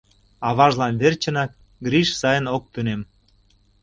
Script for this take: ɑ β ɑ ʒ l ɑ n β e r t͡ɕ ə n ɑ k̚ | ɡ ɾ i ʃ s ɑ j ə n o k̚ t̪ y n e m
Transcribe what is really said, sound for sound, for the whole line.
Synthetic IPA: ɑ β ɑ ʒ l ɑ n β e r t͡ɕ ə n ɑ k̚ | ɡ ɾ i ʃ s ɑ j ə n o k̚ t̪ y n e m